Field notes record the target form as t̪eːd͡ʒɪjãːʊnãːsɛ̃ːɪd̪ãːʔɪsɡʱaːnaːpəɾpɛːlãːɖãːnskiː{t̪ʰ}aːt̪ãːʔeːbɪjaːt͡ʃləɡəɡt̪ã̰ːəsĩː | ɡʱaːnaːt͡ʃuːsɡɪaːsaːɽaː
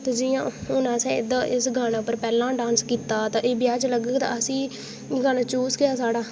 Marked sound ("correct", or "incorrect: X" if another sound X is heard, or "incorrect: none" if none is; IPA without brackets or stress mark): incorrect: t̪